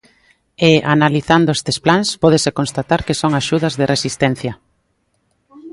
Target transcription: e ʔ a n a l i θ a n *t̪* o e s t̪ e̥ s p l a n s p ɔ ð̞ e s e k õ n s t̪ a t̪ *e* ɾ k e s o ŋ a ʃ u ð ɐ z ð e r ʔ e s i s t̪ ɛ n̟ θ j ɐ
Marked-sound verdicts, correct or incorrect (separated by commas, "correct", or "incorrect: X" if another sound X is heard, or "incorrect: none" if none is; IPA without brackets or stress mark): incorrect: d̪, incorrect: a